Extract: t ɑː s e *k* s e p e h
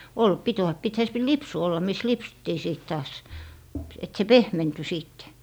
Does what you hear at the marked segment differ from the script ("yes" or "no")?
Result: yes